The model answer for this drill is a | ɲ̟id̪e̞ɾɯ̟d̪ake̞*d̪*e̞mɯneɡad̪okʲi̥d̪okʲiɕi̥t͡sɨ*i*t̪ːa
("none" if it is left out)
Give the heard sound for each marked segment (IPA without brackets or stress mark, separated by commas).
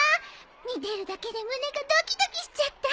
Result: d̪, a